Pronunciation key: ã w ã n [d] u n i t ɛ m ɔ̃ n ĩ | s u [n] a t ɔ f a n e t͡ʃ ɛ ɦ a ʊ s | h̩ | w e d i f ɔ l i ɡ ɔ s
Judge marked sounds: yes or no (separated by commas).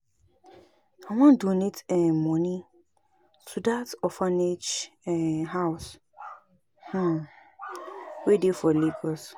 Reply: yes, no